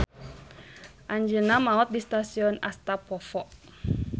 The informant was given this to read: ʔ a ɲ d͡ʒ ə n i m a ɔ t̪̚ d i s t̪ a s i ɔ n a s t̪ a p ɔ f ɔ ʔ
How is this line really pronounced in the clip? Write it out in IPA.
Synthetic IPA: ʔ a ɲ d͡ʒ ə n a m a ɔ t̪̚ d i s t̪ a s i ɔ n a s t̪ a p ɔ f ɔ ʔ